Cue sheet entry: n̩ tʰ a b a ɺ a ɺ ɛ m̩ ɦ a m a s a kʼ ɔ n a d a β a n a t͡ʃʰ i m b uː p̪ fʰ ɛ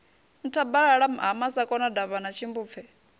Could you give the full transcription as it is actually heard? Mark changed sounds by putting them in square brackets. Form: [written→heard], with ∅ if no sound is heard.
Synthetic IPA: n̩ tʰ a b a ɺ a ɺ [ɛ→a] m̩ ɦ a m a s a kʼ ɔ n a d a β a n a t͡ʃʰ i m b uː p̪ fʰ ɛ